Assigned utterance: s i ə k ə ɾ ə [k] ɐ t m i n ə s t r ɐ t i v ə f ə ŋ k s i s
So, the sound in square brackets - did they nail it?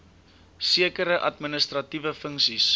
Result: no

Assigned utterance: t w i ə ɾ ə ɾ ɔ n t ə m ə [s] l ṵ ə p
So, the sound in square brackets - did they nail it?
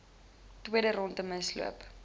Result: yes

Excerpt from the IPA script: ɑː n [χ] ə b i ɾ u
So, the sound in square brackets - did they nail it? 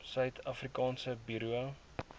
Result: no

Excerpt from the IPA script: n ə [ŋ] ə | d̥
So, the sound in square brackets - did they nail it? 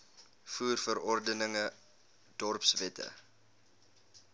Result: yes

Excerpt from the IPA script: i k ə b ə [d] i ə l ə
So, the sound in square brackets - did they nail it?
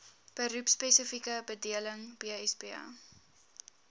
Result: yes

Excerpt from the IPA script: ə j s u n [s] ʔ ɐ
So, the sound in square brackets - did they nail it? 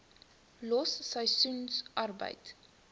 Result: yes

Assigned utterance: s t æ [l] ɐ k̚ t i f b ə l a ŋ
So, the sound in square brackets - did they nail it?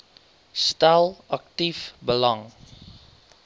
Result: yes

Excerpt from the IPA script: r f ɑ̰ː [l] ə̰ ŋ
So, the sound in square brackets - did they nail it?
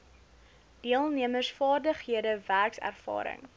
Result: no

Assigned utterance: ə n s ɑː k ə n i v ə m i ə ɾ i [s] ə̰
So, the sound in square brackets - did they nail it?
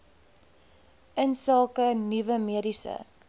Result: yes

